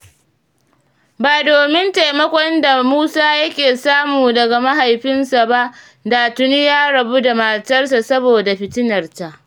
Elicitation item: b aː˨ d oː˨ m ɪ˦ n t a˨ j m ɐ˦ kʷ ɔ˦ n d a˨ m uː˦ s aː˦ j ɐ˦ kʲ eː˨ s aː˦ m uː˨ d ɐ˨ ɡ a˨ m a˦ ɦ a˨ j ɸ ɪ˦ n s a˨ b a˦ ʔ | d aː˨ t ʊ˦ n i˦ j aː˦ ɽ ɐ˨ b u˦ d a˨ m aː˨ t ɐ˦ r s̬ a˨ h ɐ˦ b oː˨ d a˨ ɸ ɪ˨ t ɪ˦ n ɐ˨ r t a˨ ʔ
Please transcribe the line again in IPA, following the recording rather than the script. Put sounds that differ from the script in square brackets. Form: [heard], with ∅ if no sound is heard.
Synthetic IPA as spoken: b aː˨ d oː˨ m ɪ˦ n t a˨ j m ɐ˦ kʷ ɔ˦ n d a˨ m uː˦ s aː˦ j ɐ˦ kʲ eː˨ s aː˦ m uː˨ d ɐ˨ ɡ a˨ m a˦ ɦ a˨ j ɸ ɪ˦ n s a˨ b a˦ ʔ | d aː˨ t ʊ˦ n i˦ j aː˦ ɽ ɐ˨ b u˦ d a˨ m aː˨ t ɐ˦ r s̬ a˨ [s] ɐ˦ b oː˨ d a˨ ɸ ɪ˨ t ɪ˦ n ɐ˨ r t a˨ ʔ